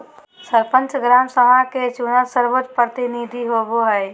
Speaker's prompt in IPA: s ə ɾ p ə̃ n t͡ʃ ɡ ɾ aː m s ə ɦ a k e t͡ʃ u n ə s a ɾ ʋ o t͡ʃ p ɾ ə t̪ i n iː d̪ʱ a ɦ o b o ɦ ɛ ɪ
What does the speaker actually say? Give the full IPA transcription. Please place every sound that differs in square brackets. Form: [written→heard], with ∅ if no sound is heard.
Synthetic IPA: s ə ɾ p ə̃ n t͡ʃ ɡ ɾ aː m s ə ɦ a k e t͡ʃ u n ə s [a→ə] ɾ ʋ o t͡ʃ p ɾ ə t̪ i n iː d̪ʱ [a→i] ɦ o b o ɦ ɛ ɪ

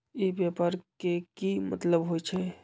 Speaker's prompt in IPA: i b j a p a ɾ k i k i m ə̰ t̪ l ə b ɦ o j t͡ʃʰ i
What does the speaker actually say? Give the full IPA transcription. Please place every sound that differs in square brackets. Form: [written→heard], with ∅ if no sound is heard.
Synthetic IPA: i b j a p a ɾ k [i→e] k i m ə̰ t̪ l ə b ɦ o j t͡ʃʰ [i→ɛ]

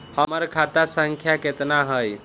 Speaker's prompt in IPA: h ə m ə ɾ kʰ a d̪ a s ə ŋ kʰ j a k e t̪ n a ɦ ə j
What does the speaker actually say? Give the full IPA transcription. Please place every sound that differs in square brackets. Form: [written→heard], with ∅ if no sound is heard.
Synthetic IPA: h ə m ə ɾ kʰ a [d̪→t̪] a s ə ŋ kʰ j a k e t̪ n a ɦ ə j

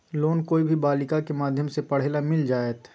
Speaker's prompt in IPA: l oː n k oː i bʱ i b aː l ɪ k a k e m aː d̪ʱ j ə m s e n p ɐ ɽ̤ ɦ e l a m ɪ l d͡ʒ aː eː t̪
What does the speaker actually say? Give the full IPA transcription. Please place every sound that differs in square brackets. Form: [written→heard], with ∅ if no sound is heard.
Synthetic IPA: l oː n k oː i bʱ i b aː l ɪ k a k e m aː d̪ʱ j ə m s e [n→∅] p ɐ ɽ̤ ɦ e l a m ɪ l d͡ʒ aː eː t̪

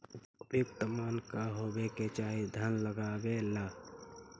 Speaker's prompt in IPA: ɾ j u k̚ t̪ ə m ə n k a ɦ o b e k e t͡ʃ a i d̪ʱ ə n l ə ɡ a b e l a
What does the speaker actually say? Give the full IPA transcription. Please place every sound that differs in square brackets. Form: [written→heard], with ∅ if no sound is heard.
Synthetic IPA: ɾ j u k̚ t̪ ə m [ə→a] n k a ɦ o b e k e t͡ʃ a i d̪ʱ ə n l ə ɡ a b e l a

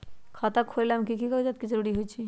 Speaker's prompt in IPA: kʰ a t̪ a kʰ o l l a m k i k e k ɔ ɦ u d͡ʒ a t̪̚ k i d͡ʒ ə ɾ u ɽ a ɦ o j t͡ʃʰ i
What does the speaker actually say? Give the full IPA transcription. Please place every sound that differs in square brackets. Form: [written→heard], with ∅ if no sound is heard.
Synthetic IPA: kʰ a t̪ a kʰ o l l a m k i k [e→i] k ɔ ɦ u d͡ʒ a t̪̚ k i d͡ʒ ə ɾ u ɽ [a→i] ɦ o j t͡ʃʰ i

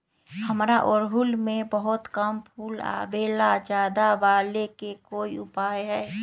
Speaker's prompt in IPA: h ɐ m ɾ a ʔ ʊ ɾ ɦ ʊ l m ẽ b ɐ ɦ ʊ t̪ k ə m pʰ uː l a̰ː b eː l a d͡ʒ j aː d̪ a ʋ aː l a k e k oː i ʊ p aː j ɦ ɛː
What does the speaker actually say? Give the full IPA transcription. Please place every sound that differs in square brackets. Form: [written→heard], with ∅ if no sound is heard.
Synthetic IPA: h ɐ m ɾ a ʔ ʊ ɾ ɦ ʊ l m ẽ b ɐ ɦ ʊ t̪ k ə m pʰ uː l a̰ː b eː l a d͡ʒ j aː d̪ a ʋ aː l [a→e] k e k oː i ʊ p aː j ɦ ɛː

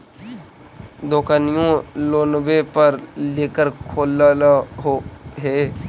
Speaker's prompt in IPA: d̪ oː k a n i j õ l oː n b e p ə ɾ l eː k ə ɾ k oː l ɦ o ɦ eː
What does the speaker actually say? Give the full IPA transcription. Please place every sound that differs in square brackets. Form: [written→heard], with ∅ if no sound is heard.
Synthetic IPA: d̪ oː k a n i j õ l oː n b e p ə ɾ l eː k ə ɾ [k→kʰ] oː l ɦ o ɦ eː

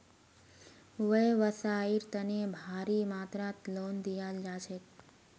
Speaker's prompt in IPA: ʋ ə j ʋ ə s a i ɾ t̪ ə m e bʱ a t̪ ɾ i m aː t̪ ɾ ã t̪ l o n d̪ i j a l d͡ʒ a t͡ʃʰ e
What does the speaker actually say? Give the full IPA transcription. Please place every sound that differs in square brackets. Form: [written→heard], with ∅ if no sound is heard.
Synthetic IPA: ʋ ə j ʋ ə s a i ɾ t̪ ə [m→n] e bʱ a [t̪→∅] ɾ i m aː t̪ ɾ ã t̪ l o n d̪ i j a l d͡ʒ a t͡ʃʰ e

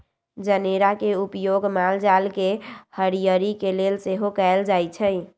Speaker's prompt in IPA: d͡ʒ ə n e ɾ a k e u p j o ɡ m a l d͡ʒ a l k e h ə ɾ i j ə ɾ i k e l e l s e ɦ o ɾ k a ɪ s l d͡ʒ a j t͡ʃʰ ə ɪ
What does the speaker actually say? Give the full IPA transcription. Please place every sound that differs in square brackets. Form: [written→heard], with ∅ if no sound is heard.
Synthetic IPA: d͡ʒ ə n e ɾ a k e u p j o ɡ m a l d͡ʒ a l k e h ə ɾ i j ə ɾ i k e l e l s e ɦ o [ɾ→∅] k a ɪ [s→∅] l d͡ʒ a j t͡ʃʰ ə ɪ

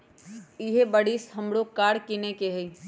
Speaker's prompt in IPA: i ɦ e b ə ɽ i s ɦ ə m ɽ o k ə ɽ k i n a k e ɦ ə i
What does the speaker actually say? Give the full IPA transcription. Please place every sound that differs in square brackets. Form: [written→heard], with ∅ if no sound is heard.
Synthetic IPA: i ɦ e b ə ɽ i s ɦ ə m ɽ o k [ə→a] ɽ k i n [a→e] k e ɦ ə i

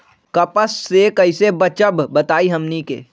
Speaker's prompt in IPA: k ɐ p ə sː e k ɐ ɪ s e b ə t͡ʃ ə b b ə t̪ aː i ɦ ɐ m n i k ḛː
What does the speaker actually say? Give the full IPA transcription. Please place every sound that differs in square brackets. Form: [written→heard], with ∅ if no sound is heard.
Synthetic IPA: k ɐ p ə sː e k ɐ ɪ s e b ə t͡ʃ ə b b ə t̪ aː i ɦ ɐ m n i k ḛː

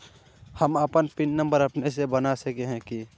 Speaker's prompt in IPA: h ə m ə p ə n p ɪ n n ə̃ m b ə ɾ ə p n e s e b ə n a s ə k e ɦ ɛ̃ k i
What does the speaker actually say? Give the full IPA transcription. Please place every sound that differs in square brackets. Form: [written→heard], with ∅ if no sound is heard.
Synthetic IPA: h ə m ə p ə n p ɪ n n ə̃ m b ə ɾ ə p n e s e b ə n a s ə k e ɦ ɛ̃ k i

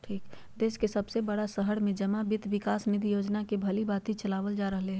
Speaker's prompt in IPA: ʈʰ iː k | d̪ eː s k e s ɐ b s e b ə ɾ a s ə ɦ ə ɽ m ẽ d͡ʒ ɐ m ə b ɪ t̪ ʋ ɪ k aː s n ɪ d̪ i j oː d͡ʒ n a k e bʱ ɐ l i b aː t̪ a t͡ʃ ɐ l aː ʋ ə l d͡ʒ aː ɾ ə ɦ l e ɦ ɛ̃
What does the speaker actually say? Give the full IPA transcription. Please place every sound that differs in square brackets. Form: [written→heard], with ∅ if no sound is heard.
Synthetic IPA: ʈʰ iː k | d̪ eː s k e s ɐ b s e b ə [ɾ→ɽ] a s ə ɦ ə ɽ m ẽ d͡ʒ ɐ m [ə→a] b ɪ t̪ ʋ ɪ k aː s n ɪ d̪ i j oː d͡ʒ n a k e bʱ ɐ l i b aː t̪ [a→i] t͡ʃ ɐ l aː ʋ ə l d͡ʒ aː ɾ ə ɦ l e ɦ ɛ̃

